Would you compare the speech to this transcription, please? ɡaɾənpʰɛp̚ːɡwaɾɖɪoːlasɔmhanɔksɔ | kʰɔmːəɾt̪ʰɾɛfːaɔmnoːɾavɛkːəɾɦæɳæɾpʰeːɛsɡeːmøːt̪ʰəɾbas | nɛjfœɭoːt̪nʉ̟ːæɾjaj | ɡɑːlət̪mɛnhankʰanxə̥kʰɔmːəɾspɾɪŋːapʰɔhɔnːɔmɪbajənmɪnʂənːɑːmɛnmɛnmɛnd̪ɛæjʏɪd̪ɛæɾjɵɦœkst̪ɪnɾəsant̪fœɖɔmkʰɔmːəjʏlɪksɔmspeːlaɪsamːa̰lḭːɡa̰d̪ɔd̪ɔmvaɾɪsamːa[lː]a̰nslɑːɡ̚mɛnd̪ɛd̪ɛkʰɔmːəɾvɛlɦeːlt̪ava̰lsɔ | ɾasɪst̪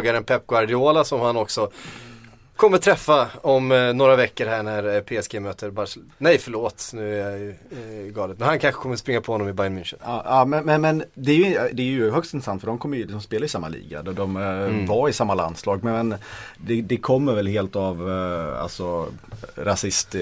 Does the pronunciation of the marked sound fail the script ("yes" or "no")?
yes